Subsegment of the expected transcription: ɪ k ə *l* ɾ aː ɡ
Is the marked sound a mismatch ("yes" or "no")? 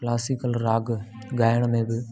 no